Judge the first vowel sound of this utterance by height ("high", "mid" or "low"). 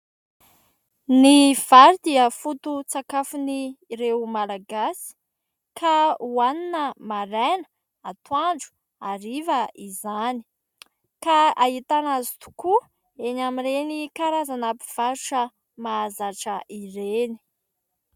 high